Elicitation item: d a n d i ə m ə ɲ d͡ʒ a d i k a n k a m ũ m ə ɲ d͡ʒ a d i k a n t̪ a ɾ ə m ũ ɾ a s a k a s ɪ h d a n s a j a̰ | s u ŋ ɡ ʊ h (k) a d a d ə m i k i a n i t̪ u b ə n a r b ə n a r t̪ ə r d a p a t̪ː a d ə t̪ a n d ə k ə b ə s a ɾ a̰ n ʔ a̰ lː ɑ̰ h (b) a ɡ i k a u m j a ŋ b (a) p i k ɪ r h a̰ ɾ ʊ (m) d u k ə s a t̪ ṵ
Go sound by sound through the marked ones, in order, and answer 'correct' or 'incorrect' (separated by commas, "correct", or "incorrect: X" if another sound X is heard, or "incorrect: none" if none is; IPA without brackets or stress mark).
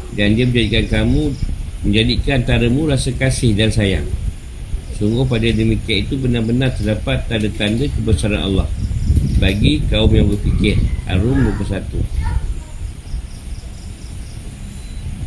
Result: incorrect: p, correct, incorrect: ə, correct